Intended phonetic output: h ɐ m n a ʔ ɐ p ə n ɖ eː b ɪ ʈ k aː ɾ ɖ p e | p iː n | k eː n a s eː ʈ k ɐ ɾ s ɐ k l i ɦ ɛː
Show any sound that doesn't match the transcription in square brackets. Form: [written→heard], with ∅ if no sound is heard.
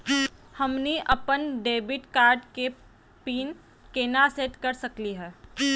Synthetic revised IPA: h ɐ m n [a→i] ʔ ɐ p ə n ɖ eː b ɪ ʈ k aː ɾ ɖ [p→k] e | p iː n | k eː n a s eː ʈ k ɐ ɾ s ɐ k l i ɦ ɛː